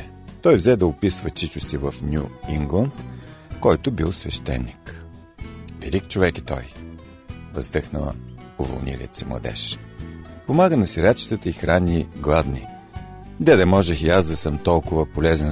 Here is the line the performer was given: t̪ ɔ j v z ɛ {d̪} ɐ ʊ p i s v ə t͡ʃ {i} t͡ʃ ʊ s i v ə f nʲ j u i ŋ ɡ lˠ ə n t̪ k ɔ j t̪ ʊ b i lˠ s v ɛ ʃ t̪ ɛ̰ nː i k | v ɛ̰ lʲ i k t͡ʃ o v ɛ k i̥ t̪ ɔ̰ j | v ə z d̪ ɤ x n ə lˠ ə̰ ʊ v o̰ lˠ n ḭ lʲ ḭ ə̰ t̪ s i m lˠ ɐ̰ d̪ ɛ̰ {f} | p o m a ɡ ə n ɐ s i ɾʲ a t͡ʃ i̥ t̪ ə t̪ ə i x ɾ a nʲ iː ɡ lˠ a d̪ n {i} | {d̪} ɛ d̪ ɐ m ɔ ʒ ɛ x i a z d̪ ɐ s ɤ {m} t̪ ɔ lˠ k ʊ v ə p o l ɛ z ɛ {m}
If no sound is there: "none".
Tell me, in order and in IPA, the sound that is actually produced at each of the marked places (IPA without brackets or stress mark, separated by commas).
d̪, i, ʃ, i, d̪, m, n